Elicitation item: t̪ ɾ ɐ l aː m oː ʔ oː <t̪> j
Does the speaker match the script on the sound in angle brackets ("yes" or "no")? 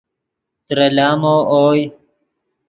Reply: no